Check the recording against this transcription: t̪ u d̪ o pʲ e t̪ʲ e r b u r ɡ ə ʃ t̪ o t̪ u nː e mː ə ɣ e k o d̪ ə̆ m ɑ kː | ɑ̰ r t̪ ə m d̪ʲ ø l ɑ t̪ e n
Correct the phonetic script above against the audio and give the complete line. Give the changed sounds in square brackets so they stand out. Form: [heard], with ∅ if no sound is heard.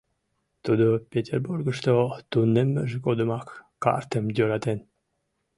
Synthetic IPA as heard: t̪ u d̪ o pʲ e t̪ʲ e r b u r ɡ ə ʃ t̪ o t̪ u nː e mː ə [ʒ] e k o d̪ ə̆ m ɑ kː | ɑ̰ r t̪ ə m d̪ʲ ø [ɾ] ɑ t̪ e n